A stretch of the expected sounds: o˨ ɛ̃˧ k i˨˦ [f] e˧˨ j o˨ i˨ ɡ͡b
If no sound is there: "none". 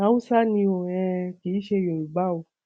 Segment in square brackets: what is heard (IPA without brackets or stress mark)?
ʃ